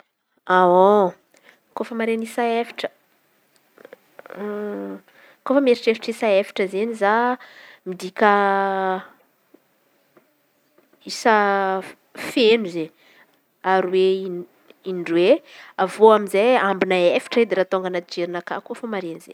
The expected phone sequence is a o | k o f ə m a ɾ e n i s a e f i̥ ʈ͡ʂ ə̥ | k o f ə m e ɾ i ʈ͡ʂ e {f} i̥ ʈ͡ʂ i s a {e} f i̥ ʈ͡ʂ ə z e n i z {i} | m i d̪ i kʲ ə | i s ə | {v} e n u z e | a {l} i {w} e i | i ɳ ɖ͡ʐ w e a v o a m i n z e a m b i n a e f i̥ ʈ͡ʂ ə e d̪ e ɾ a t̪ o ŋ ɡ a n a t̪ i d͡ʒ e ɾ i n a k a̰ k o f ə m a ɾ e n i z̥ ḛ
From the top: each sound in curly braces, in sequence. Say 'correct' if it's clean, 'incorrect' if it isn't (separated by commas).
correct, correct, incorrect, incorrect, incorrect, correct